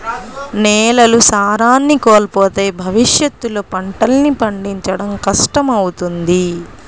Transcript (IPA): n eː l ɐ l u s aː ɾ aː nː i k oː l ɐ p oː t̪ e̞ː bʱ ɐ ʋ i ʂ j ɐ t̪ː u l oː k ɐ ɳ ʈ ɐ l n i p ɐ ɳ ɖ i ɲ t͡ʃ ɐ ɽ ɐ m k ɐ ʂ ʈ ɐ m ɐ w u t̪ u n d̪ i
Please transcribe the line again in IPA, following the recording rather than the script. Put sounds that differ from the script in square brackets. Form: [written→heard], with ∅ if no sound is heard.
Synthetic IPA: n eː l ɐ l u s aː ɾ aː nː i k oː l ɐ p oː t̪ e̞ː bʱ ɐ ʋ i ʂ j ɐ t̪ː u l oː [k→p] ɐ ɳ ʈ ɐ l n i p ɐ ɳ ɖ i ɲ t͡ʃ ɐ ɽ ɐ m k ɐ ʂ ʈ ɐ m ɐ w u t̪ u n d̪ i

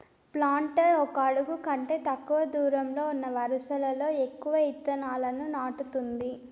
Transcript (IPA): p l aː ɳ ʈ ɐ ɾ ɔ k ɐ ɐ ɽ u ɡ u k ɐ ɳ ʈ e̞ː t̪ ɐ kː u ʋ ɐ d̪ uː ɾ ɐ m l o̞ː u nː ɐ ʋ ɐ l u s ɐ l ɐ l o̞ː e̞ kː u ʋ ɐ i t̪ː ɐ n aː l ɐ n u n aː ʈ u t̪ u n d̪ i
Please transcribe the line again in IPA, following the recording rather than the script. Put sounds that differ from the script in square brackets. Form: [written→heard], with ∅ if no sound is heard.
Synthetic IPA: p l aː ɳ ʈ ɐ ɾ ɔ k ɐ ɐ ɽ u ɡ u k ɐ ɳ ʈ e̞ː t̪ ɐ kː u ʋ ɐ d̪ uː ɾ ɐ m l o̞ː u nː ɐ ʋ ɐ [l→ɾ] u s ɐ l ɐ l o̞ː e̞ kː u ʋ ɐ i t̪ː ɐ n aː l ɐ n u n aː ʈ u t̪ u n d̪ i

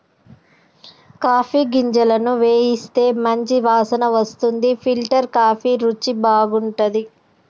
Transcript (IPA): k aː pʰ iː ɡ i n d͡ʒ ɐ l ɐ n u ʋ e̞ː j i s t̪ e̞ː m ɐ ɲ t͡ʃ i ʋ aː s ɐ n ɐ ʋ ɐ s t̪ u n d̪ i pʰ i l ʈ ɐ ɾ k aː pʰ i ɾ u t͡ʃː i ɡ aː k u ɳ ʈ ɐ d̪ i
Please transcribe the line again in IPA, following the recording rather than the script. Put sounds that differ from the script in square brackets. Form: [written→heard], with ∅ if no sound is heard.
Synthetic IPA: k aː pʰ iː ɡ i [n→ɲ] d͡ʒ ɐ l ɐ n u ʋ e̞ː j i s t̪ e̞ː m ɐ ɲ t͡ʃ i ʋ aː s ɐ n ɐ ʋ ɐ s t̪ u n d̪ i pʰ i l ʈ ɐ ɾ k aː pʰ i ɾ u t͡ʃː i [ɡ→b] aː [k→ɡ] u ɳ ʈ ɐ d̪ i

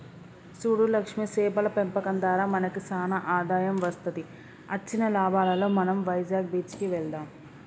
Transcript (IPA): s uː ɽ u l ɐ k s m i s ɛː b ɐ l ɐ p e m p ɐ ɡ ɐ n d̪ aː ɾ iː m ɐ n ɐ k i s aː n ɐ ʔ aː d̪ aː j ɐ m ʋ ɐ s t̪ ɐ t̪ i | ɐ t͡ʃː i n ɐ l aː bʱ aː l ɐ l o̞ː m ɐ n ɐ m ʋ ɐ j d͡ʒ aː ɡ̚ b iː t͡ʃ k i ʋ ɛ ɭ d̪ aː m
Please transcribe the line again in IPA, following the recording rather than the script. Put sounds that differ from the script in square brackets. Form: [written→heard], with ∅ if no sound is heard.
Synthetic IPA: s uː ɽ u l ɐ k [s→ʂ] m i s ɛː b ɐ l ɐ p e m p ɐ [ɡ→k] ɐ n d̪ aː ɾ [iː→aː] m ɐ n ɐ k i s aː n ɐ ʔ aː d̪ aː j ɐ m ʋ ɐ s t̪ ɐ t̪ i | ɐ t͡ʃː i n ɐ l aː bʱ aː l ɐ l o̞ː m ɐ n ɐ m ʋ ɐ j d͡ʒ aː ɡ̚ b iː t͡ʃ k i ʋ ɛ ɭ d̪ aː m

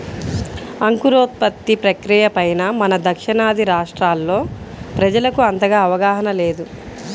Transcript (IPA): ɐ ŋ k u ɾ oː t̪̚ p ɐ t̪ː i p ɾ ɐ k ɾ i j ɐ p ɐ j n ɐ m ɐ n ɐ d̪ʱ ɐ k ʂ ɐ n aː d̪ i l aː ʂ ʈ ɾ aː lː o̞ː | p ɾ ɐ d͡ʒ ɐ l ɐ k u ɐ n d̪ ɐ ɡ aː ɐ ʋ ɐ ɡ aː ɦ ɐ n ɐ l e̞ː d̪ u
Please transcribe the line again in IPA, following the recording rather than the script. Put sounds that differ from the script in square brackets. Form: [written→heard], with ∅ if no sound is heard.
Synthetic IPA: ɐ ŋ k u ɾ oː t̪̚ p ɐ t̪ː i p ɾ ɐ k ɾ i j ɐ p ɐ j n ɐ m ɐ n ɐ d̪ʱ ɐ k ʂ ɐ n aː d̪ i [l→ɾ] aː ʂ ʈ ɾ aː lː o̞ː | p ɾ ɐ d͡ʒ ɐ l ɐ k u ɐ n [d̪→t̪] ɐ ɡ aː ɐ ʋ ɐ ɡ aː ɦ ɐ n ɐ l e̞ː d̪ u

